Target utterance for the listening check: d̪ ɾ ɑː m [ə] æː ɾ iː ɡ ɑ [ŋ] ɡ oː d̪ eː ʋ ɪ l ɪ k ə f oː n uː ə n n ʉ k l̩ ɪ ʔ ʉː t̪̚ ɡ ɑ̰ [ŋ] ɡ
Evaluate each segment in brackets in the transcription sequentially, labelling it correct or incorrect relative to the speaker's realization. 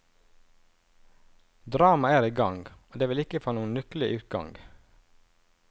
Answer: incorrect, correct, correct

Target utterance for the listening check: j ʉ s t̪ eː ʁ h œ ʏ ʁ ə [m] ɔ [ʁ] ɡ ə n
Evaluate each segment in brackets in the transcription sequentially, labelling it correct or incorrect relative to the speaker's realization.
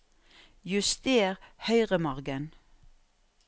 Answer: correct, correct

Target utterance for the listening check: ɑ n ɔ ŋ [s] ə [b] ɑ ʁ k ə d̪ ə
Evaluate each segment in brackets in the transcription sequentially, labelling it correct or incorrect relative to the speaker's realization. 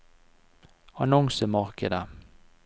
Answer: correct, incorrect

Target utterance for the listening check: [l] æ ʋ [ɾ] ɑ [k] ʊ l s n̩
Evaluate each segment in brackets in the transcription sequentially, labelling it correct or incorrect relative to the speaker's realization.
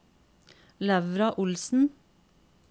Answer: correct, correct, incorrect

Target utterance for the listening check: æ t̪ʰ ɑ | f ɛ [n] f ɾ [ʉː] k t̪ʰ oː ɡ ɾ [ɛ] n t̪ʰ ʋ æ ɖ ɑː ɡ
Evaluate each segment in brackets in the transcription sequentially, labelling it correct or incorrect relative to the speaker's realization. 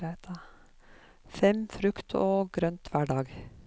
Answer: incorrect, incorrect, incorrect

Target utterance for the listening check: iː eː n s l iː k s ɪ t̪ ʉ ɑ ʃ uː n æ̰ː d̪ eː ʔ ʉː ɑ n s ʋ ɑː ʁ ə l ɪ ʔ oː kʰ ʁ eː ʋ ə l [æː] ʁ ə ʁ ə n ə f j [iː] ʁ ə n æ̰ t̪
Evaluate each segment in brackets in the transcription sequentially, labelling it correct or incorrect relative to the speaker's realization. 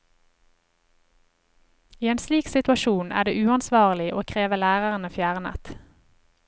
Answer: correct, incorrect

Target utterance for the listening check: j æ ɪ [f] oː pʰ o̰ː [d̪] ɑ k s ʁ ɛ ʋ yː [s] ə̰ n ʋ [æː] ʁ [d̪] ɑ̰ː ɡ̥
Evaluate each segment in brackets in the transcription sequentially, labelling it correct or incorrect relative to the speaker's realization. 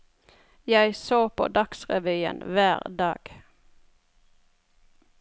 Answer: incorrect, correct, incorrect, correct, correct

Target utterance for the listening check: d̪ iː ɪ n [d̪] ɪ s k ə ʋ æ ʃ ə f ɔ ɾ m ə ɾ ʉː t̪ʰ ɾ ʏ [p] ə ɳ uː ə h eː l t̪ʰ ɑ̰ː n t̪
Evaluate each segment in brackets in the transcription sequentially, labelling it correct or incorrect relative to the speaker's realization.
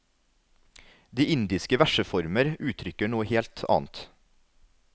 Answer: correct, incorrect

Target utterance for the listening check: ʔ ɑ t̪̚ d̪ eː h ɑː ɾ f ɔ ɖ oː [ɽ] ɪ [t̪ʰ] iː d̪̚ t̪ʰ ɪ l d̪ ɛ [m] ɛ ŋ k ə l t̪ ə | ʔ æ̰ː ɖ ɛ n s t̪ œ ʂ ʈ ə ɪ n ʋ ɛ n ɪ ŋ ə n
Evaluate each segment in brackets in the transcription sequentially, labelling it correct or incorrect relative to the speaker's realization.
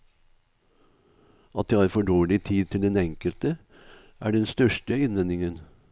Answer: incorrect, correct, incorrect

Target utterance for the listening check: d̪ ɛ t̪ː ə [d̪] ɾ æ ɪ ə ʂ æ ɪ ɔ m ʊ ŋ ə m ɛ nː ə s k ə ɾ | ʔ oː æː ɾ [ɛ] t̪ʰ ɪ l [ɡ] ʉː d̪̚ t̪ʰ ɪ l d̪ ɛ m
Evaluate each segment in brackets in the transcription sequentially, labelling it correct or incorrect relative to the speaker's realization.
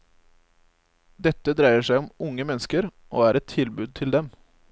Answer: correct, correct, incorrect

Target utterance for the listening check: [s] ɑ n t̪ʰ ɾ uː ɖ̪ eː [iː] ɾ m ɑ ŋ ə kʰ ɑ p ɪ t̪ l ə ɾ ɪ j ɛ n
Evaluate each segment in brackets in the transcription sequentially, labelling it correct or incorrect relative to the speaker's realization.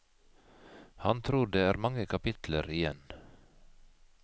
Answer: incorrect, incorrect

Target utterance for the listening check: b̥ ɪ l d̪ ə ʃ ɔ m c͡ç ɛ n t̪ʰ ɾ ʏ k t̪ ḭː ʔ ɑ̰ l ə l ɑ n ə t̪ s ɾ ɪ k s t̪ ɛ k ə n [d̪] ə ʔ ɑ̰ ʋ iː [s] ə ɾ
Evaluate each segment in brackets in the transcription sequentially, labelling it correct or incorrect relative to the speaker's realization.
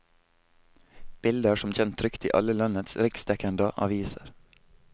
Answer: correct, correct

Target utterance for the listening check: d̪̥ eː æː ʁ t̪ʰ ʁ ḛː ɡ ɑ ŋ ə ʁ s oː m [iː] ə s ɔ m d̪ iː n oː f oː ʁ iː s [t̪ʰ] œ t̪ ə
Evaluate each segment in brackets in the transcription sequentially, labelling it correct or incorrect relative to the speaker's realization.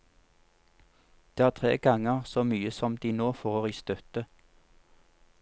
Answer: incorrect, incorrect

